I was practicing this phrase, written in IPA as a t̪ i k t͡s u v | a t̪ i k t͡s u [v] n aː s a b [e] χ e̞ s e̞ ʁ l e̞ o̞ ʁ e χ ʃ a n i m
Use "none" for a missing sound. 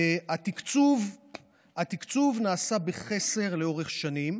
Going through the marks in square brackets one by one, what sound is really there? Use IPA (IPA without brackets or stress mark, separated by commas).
v, e